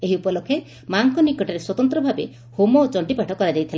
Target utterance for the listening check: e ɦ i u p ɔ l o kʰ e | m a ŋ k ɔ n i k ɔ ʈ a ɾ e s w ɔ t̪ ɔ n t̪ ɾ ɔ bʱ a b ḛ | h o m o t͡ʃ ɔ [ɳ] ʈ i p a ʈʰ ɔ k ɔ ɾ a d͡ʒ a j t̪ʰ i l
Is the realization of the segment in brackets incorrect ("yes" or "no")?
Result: no